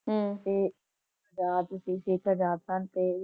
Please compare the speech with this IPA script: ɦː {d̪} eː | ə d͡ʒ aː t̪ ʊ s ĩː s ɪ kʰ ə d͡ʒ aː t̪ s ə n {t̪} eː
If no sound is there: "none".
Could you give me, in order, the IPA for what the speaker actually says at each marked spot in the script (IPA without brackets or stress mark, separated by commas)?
t̪, t̪